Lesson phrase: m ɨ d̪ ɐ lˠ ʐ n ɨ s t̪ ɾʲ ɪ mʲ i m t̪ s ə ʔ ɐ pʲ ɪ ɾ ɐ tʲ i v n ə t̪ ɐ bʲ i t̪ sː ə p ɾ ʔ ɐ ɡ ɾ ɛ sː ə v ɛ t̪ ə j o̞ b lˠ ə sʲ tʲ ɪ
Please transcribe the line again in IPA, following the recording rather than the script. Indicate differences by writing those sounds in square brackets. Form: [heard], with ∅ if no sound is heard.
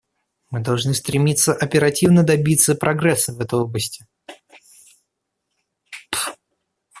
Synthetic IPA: m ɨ d̪ ɐ lˠ ʐ n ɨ s t̪ ɾʲ ɪ mʲ i [∅] t̪ s ə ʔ ɐ pʲ ɪ ɾ ɐ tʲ i v n ə [d̪] ɐ bʲ i t̪ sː ə p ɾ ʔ ɐ ɡ ɾ ɛ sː ə v ɛ t̪ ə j o̞ b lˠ ə sʲ tʲ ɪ